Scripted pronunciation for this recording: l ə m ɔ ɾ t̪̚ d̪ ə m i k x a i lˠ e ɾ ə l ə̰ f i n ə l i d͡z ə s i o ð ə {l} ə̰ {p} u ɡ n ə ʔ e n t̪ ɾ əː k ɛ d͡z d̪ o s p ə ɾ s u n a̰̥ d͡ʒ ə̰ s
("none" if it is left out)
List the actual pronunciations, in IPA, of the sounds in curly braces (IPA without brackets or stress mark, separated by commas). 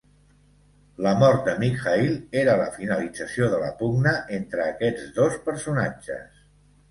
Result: l, p